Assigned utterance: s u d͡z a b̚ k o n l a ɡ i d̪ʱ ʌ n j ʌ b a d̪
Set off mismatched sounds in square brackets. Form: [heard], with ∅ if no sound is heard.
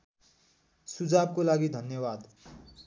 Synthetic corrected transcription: s u d͡z a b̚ k o [∅] l a ɡ i d̪ʱ ʌ n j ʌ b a d̪